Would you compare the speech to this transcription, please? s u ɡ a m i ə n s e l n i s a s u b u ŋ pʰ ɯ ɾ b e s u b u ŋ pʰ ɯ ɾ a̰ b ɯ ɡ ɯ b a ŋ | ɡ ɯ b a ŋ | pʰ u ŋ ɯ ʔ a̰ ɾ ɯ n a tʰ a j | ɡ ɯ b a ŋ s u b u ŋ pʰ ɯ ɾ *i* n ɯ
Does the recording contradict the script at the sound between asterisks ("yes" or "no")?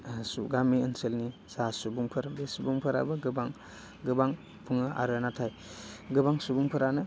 yes